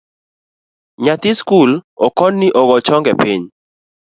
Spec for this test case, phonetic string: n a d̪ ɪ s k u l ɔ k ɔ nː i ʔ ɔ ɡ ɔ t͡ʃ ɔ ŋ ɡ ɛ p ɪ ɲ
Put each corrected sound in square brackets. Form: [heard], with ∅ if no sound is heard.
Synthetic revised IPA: [ɲ] a [t̪] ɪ s k u l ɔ k ɔ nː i ʔ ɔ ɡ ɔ t͡ʃ ɔ ŋ ɡ ɛ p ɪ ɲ